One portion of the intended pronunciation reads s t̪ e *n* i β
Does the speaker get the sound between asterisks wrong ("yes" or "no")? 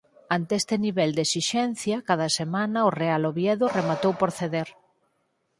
no